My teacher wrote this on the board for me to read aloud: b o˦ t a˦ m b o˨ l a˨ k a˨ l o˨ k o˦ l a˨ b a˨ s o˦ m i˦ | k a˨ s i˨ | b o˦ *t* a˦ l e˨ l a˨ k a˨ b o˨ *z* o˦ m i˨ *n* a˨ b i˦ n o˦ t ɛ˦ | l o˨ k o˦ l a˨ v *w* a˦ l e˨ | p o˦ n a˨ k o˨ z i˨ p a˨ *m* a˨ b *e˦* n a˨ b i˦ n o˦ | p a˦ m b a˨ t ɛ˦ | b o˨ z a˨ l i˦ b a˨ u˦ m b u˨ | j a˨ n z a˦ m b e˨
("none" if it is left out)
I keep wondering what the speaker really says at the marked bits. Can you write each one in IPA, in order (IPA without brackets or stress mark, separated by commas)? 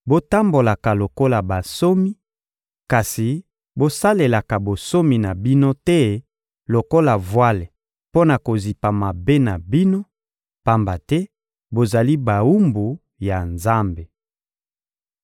s, s, n, w, m, e˦